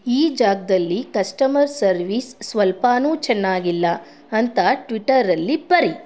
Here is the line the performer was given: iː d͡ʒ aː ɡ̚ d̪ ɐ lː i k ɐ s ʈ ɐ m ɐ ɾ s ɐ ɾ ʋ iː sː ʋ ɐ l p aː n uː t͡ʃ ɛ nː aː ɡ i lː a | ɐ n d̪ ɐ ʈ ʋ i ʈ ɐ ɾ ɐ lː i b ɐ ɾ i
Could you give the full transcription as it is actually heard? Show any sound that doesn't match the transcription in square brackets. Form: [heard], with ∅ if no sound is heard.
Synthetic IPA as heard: iː d͡ʒ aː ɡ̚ d̪ ɐ lː i k ɐ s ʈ ɐ m ɐ ɾ s ɐ ɾ ʋ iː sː ʋ ɐ l p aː n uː t͡ʃ ɛ nː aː ɡ i lː [ɐ] | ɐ n [t̪] ɐ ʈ ʋ i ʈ ɐ ɾ ɐ lː i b ɐ ɾ i